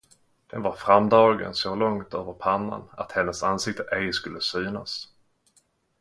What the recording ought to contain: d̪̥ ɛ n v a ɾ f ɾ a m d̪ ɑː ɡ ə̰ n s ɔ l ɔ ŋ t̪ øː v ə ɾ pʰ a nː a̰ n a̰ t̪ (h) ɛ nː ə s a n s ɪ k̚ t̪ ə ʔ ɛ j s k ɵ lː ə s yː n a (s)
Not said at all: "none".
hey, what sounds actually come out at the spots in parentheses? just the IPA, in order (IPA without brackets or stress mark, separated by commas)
h, s